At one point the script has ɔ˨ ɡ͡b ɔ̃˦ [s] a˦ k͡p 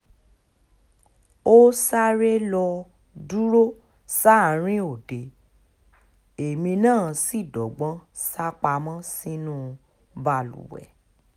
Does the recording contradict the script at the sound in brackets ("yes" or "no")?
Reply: no